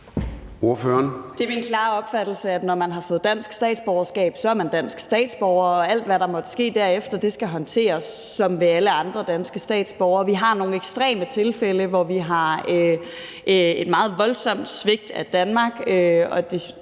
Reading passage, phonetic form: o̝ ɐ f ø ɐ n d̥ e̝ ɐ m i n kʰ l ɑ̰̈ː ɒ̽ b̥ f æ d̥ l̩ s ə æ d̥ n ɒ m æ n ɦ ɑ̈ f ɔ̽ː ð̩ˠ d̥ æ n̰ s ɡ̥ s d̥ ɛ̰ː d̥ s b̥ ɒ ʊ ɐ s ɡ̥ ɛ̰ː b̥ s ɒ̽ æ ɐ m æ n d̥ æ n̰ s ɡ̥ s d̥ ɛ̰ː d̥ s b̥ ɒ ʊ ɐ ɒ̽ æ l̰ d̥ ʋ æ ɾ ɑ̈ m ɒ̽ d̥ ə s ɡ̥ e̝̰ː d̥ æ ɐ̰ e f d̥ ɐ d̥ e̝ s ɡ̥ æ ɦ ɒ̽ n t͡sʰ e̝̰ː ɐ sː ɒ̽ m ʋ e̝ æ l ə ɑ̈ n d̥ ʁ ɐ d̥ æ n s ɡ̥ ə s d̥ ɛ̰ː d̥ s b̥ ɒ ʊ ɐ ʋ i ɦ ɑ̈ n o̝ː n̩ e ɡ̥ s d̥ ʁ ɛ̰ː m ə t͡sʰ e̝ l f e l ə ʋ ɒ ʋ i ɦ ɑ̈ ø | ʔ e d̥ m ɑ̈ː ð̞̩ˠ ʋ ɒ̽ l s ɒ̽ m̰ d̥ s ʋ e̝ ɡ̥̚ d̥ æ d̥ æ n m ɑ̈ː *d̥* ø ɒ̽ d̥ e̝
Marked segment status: incorrect: ɡ̥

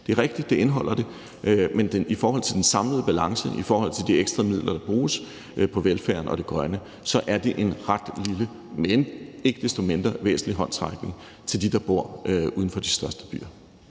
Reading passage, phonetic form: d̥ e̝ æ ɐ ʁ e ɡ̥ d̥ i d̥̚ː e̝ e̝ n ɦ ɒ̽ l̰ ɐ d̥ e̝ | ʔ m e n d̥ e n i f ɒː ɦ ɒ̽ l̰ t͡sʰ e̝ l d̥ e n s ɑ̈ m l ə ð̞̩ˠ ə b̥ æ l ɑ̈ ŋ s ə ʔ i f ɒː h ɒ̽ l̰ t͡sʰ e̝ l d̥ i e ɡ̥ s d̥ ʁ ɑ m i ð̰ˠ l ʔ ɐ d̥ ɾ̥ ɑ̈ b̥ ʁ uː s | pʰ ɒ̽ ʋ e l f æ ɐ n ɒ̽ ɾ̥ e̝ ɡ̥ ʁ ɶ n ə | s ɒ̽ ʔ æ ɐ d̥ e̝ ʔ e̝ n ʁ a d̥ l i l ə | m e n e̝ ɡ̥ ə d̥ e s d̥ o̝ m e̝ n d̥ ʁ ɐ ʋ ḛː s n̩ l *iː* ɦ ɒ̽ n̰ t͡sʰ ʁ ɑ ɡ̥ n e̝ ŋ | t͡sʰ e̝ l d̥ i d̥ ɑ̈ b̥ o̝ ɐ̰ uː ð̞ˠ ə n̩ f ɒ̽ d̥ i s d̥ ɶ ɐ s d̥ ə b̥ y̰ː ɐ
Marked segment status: incorrect: i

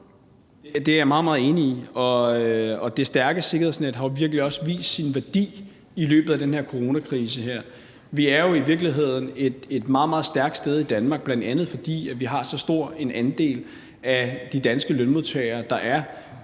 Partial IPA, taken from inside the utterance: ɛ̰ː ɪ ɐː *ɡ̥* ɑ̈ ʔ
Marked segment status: incorrect: d̥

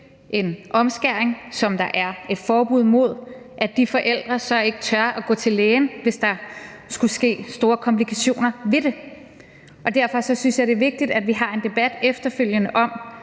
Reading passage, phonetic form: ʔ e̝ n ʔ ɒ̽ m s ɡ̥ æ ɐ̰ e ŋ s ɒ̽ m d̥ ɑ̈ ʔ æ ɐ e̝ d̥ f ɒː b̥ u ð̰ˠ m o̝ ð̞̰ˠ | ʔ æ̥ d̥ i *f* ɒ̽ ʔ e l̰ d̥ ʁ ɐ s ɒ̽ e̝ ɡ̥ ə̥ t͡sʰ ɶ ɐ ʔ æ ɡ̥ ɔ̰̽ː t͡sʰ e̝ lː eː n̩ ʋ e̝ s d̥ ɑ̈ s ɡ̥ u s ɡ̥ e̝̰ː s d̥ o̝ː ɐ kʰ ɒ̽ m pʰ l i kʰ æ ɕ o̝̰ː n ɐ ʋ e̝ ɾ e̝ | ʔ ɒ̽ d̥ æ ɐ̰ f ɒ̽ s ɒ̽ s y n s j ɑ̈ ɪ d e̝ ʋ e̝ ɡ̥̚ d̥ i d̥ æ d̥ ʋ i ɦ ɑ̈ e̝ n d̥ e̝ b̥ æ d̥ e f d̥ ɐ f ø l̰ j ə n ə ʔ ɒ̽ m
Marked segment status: correct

